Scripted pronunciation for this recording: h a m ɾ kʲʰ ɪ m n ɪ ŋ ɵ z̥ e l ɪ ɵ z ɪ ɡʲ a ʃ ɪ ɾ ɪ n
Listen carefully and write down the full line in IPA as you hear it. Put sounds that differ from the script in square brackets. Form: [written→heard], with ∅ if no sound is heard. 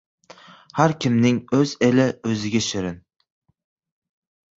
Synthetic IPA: h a [m→∅] ɾ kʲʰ ɪ m n ɪ ŋ ɵ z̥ e l ɪ ɵ z ɪ ɡʲ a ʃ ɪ ɾ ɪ n